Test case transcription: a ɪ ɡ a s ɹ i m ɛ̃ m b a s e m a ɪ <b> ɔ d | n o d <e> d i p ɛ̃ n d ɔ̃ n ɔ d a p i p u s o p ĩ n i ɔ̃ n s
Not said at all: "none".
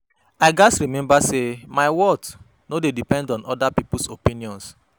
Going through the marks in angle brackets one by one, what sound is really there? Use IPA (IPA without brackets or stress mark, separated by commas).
w, e